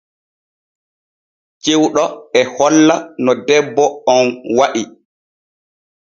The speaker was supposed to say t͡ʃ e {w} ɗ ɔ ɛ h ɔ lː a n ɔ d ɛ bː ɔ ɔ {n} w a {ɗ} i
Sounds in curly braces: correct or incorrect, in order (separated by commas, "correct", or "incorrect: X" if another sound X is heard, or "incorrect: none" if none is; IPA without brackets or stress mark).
correct, correct, correct